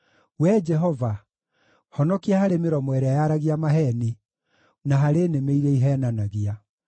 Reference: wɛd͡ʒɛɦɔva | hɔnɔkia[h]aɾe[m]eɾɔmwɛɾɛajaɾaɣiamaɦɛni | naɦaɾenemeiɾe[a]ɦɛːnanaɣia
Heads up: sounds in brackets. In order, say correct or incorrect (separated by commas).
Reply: correct, correct, incorrect